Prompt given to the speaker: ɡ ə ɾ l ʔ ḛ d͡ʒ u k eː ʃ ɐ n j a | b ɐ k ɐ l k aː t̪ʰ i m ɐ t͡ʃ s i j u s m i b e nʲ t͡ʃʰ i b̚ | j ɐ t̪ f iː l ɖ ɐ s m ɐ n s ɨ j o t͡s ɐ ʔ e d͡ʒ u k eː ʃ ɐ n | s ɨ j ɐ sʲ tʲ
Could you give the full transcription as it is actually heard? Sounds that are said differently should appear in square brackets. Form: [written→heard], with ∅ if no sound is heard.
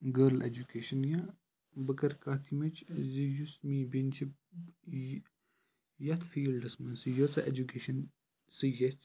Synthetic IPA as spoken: ɡ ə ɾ l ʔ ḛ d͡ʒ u k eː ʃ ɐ n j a | b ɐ k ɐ [l→ɾ] k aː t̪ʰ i m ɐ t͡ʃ [s→z] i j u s m i b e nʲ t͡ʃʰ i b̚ | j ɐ t̪ f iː l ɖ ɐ s m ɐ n s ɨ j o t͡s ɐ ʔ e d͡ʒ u k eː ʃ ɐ n | s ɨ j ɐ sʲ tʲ